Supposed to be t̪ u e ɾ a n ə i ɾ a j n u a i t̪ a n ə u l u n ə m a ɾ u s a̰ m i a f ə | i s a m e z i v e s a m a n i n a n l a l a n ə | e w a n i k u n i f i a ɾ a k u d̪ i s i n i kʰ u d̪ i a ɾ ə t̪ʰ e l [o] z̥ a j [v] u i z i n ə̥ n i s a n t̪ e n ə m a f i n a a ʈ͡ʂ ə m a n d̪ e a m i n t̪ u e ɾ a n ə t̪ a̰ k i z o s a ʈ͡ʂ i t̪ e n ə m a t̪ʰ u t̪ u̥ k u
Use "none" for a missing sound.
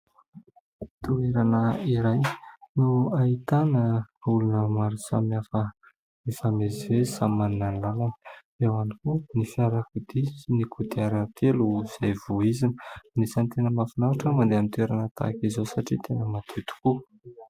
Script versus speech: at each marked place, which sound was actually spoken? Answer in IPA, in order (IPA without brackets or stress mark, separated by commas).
u, v